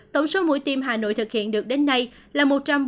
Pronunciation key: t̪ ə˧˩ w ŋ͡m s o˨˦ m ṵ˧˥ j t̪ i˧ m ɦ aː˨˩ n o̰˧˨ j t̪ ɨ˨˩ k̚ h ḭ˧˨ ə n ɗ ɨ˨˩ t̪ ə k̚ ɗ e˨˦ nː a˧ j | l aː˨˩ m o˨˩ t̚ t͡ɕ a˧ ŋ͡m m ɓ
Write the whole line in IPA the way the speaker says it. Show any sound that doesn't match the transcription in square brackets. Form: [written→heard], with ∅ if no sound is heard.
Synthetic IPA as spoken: t̪ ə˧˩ w ŋ͡m s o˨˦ m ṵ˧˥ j t̪ i˧ m ɦ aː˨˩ n o̰˧˨ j t̪ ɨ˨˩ k̚ h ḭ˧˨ ə n ɗ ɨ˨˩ [t̪→∅] ə k̚ ɗ e˨˦ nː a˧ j | l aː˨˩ m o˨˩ t̚ t͡ɕ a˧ [ŋ͡m→∅] m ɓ